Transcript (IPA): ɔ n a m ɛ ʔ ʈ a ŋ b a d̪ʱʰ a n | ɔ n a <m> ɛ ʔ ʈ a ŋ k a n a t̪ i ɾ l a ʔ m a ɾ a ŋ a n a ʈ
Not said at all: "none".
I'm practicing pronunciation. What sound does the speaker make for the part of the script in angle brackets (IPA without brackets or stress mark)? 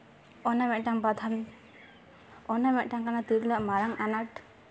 m